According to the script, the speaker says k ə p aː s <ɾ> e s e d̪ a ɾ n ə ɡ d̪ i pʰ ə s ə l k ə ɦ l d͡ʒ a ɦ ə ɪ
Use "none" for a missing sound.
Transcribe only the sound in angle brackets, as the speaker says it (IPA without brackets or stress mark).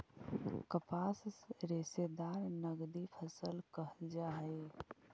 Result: ɾ